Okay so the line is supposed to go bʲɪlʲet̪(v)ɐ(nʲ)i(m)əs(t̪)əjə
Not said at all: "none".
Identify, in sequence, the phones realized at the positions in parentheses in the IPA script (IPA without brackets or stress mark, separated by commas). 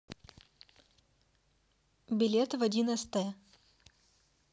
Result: v, dʲ, n, t̪